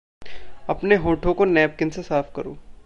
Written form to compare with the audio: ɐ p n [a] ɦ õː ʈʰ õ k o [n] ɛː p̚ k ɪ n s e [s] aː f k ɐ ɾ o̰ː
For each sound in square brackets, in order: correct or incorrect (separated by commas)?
incorrect, correct, correct